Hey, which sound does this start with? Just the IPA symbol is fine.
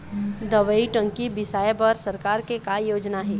d̪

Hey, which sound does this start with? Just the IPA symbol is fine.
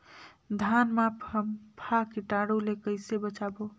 d̪ʱ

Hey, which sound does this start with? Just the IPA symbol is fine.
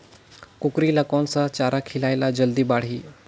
k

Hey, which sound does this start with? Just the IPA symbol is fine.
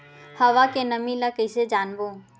h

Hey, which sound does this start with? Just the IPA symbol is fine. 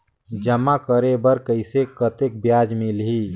d͡ʒ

